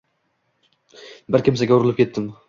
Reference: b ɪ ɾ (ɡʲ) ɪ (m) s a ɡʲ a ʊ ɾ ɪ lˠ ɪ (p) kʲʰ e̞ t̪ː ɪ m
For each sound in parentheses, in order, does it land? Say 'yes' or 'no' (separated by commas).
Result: no, yes, yes